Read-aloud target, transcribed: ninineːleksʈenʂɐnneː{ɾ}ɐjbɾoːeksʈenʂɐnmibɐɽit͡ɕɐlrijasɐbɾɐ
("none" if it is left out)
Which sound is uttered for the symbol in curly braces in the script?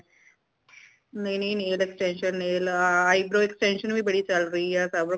l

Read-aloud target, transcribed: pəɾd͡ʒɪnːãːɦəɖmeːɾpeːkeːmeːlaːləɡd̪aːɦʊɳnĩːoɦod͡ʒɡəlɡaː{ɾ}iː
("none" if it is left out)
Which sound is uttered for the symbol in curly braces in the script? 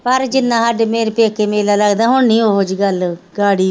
ɽ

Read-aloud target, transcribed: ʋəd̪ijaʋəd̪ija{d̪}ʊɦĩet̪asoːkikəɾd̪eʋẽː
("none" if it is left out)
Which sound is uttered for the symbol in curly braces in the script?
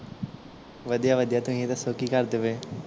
t̪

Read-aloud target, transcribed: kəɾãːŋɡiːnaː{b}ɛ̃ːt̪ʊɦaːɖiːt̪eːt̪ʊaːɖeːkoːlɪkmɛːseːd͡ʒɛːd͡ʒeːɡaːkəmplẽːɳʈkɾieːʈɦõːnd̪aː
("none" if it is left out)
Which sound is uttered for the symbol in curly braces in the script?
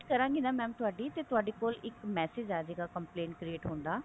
m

